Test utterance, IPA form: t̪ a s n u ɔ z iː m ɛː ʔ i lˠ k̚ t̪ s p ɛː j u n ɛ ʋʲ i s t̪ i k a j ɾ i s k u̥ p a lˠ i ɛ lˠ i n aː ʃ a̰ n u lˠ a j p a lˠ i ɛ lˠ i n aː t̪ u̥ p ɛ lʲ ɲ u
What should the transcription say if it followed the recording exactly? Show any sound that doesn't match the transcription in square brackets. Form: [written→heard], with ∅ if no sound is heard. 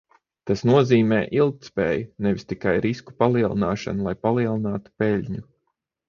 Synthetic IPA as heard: t̪ a s n u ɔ z iː m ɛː ʔ i lˠ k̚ t̪ s p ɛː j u n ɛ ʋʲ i s t̪ i k a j ɾ i s k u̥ p a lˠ i ɛ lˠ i n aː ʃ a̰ n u lˠ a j p a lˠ i ɛ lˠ i n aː t̪ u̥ p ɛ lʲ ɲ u